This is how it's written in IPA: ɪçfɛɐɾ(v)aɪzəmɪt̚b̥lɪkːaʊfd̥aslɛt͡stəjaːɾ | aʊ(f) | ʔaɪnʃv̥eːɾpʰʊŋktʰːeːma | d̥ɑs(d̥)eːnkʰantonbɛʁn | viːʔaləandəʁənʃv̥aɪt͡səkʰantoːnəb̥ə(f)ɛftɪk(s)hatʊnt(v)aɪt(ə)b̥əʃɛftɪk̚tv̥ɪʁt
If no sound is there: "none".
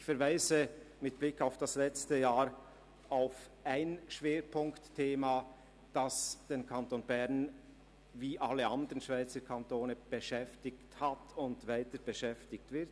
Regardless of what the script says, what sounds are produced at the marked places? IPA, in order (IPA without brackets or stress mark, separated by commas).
v, f, d̥, ʃ, t, v, ə